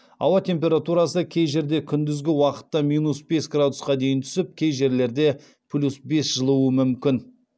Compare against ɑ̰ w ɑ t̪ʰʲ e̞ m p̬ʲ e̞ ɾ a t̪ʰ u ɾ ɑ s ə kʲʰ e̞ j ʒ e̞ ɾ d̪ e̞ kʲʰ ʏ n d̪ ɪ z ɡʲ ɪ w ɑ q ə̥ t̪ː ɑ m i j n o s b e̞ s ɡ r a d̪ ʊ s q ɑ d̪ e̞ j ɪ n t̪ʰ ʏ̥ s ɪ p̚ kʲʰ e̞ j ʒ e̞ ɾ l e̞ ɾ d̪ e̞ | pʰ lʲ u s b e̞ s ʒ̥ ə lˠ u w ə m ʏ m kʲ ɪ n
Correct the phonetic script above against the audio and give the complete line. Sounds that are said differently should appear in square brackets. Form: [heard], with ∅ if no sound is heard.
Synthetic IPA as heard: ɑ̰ w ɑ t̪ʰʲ e̞ m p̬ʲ e̞ ɾ a [t̪] u ɾ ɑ s ə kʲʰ e̞ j ʒ e̞ ɾ d̪ e̞ kʲʰ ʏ n d̪ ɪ z ɡʲ ɪ w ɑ q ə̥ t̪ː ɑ m i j n [u] s b e̞ s ɡ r a d̪ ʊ s q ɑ d̪ e̞ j ɪ n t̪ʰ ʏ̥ s ɪ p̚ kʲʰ e̞ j ʒ e̞ ɾ l e̞ ɾ d̪ e̞ | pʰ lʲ u s b e̞ s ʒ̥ ə lˠ u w ə m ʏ m kʲ ɪ n